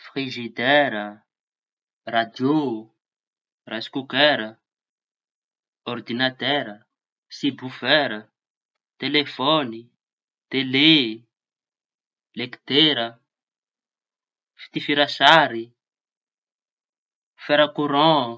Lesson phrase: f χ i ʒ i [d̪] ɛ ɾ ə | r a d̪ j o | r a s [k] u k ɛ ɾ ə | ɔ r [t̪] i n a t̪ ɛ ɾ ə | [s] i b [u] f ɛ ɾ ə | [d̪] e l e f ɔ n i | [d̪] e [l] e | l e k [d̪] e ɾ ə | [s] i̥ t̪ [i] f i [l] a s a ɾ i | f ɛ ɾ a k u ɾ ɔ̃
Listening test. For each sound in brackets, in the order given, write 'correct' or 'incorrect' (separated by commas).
correct, correct, incorrect, correct, correct, incorrect, incorrect, correct, incorrect, incorrect, correct, incorrect